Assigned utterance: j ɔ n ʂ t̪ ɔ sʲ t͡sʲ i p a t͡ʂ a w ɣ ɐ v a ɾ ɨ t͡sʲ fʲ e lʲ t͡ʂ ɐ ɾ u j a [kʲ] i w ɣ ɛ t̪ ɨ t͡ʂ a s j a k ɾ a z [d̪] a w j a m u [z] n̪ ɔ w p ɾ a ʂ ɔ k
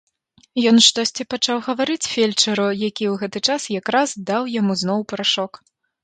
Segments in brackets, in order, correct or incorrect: correct, correct, correct

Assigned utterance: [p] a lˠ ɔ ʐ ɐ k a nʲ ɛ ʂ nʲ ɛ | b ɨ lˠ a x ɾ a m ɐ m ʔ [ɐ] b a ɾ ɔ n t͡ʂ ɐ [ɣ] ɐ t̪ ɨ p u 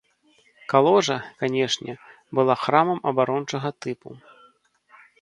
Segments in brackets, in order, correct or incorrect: incorrect, correct, correct

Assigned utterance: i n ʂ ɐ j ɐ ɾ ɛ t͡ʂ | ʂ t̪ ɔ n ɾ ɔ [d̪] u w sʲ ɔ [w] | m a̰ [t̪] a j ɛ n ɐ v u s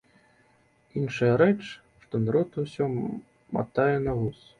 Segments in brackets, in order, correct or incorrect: incorrect, incorrect, correct

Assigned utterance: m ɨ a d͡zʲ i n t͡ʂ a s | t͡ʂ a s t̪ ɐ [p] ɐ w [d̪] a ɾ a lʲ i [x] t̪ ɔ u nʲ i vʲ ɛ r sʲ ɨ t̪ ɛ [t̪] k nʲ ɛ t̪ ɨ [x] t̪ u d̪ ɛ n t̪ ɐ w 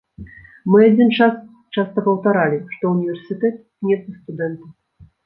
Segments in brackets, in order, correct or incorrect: correct, incorrect, incorrect, correct, incorrect

